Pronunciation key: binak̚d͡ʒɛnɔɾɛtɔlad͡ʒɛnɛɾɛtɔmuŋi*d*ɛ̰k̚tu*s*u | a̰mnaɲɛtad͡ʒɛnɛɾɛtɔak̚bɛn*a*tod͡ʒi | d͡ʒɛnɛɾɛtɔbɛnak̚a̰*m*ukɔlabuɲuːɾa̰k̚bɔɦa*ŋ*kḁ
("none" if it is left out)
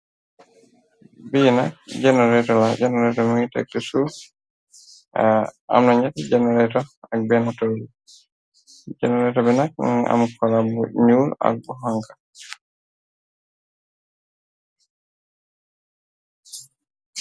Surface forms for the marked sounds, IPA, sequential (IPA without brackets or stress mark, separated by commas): t, s, a, m, ŋ